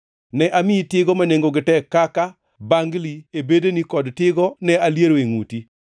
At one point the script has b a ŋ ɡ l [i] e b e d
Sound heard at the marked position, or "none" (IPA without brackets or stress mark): i